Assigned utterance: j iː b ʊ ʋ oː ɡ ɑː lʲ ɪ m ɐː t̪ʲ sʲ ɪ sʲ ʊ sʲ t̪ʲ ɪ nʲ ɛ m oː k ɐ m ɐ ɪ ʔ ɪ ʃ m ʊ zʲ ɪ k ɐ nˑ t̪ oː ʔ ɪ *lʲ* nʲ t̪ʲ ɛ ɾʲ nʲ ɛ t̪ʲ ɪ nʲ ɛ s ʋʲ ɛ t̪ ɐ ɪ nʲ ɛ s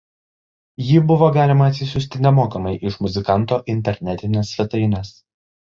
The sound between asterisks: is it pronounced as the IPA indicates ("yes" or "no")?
no